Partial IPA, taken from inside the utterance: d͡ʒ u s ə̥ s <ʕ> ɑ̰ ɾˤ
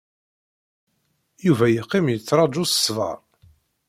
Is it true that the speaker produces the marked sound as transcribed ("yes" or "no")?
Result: no